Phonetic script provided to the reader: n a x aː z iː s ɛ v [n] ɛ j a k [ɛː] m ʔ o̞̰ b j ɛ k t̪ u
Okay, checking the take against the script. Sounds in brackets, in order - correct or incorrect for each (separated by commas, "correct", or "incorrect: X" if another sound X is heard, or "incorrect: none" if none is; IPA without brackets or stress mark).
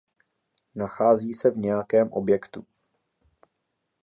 incorrect: ɲ, correct